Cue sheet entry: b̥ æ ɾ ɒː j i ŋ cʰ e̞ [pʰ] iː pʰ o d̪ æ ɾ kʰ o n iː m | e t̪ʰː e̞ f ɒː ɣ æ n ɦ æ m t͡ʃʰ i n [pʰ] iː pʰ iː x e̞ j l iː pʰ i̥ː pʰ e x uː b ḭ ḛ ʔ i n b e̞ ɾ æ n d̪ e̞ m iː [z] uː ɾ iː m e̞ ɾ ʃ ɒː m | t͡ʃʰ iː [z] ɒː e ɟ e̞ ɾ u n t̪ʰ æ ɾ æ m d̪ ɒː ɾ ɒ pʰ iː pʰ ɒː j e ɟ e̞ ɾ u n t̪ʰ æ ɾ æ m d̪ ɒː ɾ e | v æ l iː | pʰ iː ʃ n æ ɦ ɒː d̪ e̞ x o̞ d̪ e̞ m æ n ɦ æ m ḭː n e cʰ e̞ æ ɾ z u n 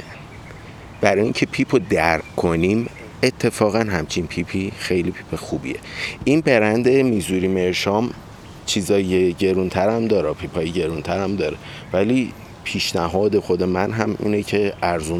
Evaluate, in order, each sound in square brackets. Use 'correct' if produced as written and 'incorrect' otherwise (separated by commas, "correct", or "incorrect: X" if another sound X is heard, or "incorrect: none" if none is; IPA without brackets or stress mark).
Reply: correct, correct, correct, correct